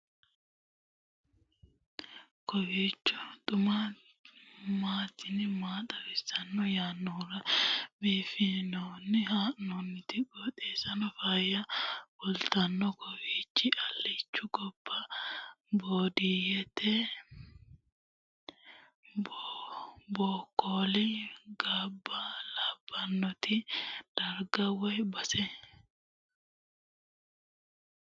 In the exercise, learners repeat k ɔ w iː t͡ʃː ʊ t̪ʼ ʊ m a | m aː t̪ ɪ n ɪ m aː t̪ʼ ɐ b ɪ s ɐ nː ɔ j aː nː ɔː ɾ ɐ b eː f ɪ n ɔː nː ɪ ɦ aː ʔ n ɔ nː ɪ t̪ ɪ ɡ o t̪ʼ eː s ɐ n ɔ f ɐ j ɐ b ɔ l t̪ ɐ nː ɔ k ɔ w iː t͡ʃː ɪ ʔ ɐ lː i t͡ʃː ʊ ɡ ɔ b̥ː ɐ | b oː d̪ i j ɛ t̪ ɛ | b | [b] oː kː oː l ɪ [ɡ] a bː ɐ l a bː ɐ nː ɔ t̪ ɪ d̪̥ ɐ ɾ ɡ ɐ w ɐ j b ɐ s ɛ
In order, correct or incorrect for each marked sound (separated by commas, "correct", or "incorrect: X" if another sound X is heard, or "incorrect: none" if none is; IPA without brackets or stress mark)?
correct, correct